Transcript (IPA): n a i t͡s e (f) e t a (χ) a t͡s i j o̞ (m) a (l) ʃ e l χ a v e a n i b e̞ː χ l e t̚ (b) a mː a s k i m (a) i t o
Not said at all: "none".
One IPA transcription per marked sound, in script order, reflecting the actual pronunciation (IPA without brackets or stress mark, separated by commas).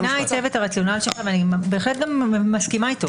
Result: v, ʁ, n, l, ɡ, a